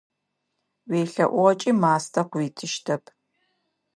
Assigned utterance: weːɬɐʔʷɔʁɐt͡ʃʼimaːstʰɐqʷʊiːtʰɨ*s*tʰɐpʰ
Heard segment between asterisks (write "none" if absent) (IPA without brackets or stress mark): ʃ